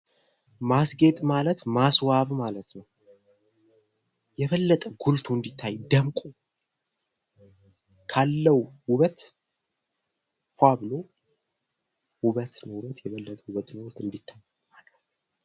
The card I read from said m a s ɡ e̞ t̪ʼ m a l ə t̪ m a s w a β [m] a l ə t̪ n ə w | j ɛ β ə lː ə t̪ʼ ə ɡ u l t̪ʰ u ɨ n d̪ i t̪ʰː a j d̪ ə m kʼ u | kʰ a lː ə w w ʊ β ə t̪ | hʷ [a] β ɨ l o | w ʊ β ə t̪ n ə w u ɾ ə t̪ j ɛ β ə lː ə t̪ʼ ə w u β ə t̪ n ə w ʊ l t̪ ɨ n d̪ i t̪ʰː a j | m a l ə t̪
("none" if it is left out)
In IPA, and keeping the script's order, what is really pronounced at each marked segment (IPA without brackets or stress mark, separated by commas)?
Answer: m, a